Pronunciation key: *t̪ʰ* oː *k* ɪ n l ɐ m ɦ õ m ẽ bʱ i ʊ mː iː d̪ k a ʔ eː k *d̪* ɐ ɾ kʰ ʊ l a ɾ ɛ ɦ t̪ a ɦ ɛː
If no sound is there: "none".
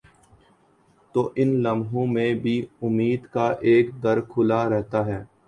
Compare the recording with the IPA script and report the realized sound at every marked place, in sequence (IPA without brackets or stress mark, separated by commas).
t̪, ʔ, d̪